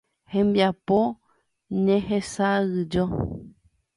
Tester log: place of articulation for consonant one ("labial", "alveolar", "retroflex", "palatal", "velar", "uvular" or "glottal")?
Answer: glottal